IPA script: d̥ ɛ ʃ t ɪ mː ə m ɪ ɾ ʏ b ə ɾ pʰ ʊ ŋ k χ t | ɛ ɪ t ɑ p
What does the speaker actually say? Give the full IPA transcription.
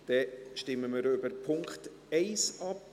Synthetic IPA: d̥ ɛ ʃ t ɪ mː ə m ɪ ɾ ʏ b ə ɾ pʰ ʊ ŋ k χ t | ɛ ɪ s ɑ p